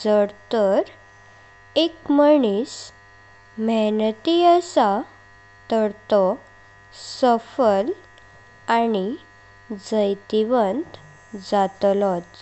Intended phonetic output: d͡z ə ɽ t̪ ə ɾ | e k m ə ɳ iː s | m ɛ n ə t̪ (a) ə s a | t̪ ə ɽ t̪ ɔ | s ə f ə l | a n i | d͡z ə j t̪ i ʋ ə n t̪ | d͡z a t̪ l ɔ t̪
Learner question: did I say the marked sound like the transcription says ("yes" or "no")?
no